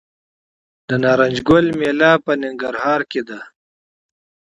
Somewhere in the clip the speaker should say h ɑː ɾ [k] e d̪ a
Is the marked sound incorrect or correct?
correct